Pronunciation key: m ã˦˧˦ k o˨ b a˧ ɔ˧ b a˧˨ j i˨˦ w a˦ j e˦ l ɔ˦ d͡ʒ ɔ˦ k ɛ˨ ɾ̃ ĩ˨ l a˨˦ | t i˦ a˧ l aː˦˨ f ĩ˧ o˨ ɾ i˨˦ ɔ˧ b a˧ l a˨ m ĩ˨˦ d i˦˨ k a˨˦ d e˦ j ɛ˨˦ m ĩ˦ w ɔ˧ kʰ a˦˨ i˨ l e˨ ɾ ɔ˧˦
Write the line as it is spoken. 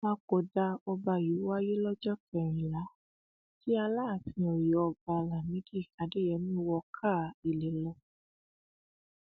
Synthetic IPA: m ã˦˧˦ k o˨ d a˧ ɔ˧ b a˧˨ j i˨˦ w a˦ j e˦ l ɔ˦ d͡ʒ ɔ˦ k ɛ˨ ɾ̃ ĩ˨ l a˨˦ | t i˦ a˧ l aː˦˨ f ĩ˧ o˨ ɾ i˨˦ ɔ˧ b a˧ l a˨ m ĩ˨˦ d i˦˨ k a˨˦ d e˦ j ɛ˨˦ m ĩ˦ w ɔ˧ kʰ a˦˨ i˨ l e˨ l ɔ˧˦